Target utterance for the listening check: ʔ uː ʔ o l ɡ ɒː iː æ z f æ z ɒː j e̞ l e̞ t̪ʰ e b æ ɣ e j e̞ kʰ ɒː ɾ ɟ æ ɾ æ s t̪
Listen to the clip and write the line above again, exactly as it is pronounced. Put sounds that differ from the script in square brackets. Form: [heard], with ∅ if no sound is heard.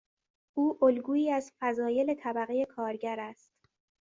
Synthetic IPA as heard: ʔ uː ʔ o l ɡ [uː] iː æ z f æ z ɒː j e̞ l e̞ t̪ʰ [æ] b æ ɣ e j e̞ kʰ ɒː ɾ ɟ æ ɾ æ s t̪